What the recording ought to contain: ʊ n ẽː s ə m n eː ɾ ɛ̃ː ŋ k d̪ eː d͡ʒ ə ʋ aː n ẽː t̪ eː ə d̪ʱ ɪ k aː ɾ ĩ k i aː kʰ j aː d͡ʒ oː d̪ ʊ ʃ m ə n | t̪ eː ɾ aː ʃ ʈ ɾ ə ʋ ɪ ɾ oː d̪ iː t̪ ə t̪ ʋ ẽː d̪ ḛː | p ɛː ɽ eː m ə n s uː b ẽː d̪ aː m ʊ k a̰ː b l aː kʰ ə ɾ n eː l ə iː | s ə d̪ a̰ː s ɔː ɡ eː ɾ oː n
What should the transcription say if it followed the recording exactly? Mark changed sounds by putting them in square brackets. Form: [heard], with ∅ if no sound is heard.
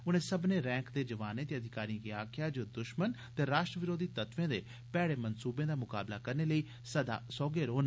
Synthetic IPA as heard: ʊ n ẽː s ə [b] n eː ɾ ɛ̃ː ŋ k d̪ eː d͡ʒ ə ʋ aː n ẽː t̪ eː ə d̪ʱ ɪ k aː ɾ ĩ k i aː kʰ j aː d͡ʒ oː d̪ ʊ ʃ m ə n | t̪ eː ɾ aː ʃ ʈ ɾ ə ʋ ɪ ɾ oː d̪ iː t̪ ə t̪ ʋ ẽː d̪ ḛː | p ɛː ɽ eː m ə n s uː b ẽː d̪ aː m ʊ k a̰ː b l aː [k] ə ɾ n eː l ə iː | s ə d̪ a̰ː s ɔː ɡ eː ɾ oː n